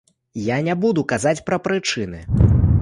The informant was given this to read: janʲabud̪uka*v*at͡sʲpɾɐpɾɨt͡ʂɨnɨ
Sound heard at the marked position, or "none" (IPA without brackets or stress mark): z